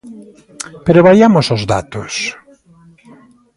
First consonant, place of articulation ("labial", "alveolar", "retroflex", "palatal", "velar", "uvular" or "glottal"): labial